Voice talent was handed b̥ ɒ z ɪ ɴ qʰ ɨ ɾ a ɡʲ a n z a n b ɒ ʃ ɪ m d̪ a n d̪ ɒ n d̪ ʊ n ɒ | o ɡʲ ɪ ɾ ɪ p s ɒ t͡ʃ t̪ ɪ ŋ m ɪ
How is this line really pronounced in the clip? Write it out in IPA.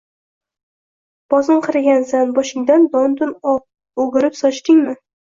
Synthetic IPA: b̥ ɒ z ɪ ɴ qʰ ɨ ɾ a ɡʲ a n z a n b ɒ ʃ ɪ ŋ d̪ a n d̪ ɒ n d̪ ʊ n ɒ | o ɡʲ ɪ ɾ ɪ p s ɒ t͡ʃ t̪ ɪ ŋ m ɪ